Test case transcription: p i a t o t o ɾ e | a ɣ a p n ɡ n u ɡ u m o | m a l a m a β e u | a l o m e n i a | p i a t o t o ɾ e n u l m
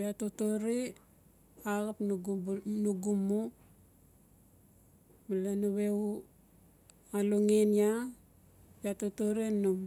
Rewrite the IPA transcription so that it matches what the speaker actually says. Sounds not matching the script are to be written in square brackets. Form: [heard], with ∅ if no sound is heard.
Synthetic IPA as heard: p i a t o t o ɾ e | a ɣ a p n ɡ n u ɡ u m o | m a l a [n] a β e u | a l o [ŋ] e n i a | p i a t o t o ɾ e n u [∅] m